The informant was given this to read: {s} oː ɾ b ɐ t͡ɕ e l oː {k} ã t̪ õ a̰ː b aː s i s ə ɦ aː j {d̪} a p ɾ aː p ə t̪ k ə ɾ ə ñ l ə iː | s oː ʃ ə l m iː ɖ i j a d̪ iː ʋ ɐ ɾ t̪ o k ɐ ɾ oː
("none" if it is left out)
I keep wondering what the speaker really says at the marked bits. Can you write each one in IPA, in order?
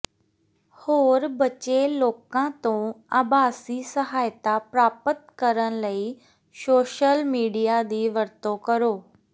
h, k, t̪

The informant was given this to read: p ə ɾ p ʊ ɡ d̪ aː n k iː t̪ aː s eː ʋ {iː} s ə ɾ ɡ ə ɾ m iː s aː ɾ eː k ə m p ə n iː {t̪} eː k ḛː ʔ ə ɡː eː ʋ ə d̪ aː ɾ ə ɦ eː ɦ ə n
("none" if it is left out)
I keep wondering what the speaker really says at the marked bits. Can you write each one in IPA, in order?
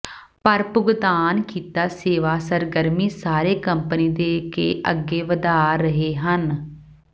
aː, d̪

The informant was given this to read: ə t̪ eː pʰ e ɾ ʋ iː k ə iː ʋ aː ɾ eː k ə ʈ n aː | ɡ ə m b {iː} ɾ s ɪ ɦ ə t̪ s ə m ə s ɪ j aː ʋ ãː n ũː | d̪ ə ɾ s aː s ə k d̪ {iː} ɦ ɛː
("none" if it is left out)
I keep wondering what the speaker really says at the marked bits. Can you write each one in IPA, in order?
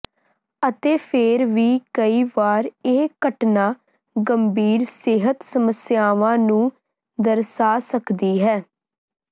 iː, iː

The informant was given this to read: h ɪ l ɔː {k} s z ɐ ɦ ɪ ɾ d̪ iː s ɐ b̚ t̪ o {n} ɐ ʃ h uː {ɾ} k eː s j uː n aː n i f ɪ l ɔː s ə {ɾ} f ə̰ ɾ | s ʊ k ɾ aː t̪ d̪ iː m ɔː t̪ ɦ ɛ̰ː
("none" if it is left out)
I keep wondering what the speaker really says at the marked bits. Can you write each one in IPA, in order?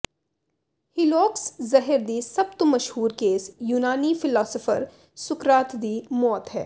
k, m, ɾ, none

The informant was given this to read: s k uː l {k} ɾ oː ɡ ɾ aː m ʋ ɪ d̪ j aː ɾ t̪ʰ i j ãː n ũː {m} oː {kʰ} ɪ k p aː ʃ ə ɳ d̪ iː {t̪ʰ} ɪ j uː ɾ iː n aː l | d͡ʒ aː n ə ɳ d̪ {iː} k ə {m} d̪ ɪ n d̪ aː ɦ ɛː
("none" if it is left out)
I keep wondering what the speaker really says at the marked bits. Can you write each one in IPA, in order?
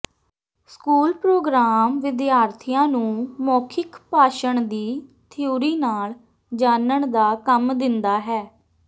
p, m, kʰ, t̪ʰ, aː, m

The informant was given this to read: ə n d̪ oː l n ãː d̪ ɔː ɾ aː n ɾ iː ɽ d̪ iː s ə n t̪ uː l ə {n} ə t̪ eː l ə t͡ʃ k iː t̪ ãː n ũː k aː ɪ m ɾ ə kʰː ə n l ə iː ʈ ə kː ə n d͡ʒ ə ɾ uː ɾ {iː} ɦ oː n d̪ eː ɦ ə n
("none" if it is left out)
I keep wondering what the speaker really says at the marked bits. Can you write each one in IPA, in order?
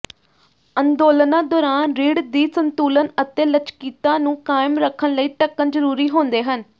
n, iː

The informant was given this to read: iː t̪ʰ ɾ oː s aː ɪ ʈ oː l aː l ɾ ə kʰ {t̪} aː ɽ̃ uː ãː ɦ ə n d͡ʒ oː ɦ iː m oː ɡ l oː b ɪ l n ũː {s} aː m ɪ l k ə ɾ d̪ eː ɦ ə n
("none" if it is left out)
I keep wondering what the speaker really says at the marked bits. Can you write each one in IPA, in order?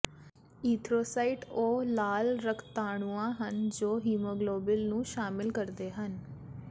t̪, ʃ

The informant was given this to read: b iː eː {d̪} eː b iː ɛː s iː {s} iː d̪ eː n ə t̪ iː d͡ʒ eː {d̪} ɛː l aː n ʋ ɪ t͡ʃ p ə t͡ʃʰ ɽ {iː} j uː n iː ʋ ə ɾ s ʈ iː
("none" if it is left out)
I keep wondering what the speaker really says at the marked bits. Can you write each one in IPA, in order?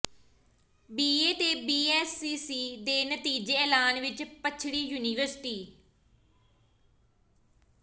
t̪, s, none, iː

